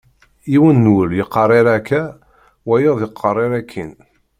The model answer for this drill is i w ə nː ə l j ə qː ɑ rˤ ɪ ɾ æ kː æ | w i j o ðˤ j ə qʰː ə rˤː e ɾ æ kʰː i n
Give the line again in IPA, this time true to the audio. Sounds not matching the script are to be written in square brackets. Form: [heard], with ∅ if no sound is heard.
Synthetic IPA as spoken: i w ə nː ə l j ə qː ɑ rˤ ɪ ɾ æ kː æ | w [æ] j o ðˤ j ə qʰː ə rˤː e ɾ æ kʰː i n